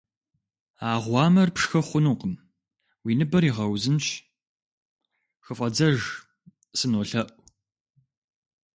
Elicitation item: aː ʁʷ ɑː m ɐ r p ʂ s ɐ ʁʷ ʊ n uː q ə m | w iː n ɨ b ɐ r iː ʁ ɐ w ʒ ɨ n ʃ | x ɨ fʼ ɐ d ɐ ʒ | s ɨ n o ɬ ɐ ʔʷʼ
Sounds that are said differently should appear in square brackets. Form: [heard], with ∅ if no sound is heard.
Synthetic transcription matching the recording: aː ʁʷ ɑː m ɐ r p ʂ [x] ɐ [χʷ] ʊ n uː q ə m | w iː n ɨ b ɐ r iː ʁ ɐ w [z] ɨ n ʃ | x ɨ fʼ ɐ [d͡z] ɐ ʒ | s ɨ n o ɬ ɐ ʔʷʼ